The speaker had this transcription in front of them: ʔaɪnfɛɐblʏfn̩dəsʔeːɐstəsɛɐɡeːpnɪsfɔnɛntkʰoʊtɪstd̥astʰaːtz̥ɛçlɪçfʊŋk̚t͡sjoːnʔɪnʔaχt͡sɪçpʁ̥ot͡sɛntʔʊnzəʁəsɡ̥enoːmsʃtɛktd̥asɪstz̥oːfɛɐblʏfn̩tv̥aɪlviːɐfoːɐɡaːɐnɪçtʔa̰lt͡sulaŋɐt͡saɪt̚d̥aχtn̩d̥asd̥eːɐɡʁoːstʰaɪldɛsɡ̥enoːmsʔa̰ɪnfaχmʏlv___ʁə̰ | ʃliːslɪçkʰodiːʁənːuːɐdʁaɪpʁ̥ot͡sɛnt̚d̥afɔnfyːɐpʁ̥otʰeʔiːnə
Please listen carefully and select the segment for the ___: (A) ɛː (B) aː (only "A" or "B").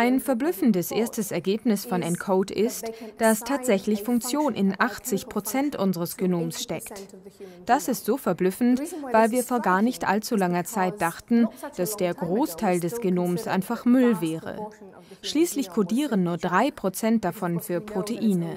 A